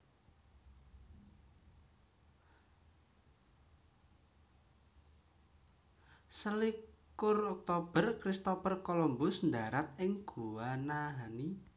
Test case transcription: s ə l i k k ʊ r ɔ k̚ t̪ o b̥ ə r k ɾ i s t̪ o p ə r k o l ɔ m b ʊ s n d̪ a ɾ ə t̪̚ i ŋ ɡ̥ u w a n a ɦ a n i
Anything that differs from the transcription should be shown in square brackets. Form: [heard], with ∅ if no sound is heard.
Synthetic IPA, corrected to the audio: s ə l i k k ʊ r ɔ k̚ t̪ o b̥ ə r k ɾ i s t̪ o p ə r k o l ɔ m b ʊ s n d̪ a ɾ [a] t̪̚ [ɪ] ŋ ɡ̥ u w a n a ɦ a n i